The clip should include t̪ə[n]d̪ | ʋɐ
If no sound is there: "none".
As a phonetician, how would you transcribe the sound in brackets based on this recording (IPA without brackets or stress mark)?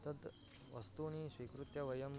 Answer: none